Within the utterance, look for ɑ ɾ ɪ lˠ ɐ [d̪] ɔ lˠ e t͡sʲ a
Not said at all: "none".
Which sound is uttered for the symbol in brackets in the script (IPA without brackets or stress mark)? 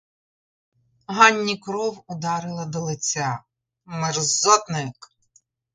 d̪